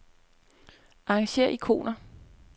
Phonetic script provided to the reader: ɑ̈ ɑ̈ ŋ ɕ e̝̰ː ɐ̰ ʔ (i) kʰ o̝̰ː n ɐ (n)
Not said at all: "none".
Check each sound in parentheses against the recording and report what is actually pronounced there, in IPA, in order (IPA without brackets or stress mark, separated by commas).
i, none